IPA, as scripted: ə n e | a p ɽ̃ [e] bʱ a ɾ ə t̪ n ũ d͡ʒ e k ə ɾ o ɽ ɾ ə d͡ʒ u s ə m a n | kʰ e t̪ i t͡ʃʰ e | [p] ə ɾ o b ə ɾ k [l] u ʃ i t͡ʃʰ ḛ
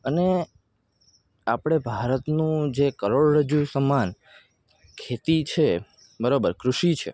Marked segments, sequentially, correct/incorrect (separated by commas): correct, incorrect, incorrect